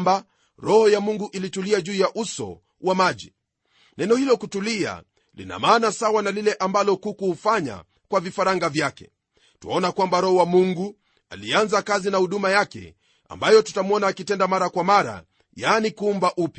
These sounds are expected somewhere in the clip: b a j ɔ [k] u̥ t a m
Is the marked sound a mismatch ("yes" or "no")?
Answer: yes